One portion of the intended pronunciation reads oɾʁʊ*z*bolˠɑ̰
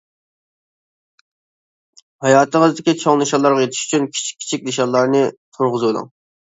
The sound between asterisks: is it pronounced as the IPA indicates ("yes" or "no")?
yes